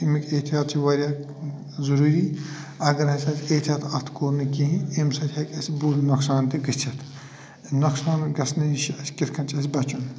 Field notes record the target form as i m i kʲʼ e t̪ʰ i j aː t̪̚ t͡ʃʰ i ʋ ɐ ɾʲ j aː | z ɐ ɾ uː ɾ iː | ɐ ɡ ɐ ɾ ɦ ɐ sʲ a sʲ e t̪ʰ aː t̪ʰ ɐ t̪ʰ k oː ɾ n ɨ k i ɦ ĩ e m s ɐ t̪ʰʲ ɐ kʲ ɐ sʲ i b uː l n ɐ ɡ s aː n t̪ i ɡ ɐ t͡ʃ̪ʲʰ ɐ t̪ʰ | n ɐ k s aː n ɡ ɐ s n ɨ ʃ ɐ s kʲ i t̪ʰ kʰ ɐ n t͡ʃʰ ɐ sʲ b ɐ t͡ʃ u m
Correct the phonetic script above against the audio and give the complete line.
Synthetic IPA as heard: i m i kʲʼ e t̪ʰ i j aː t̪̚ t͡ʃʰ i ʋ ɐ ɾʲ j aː | z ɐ ɾ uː ɾ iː | ɐ ɡ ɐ ɾ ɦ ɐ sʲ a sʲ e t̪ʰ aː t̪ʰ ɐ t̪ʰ k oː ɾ n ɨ k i ɦ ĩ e m s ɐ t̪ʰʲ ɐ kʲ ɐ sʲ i b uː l n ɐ k s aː n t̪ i ɡ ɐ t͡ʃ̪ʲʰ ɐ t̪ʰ | n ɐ k s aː n ɡ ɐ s n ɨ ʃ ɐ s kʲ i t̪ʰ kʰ ɐ n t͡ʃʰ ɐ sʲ b ɐ t͡ʃ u n